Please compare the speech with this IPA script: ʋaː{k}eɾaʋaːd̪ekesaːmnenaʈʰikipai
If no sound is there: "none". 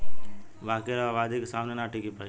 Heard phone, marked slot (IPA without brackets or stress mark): k